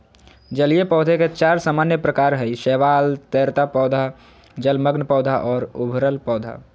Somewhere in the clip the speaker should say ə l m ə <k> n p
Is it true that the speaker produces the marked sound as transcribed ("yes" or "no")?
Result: no